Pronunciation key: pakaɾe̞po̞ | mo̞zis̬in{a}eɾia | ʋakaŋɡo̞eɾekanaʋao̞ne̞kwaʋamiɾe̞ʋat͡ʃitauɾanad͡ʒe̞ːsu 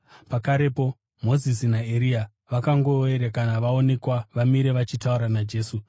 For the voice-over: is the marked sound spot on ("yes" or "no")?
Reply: yes